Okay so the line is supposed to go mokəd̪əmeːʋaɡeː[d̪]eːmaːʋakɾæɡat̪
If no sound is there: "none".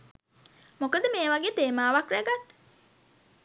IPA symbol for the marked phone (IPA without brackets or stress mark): t̪